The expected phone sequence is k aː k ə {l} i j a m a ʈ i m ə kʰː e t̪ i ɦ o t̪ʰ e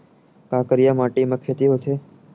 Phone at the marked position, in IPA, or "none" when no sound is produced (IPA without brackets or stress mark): ɾ